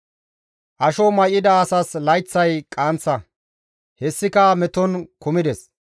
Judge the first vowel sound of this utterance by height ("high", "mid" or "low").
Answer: low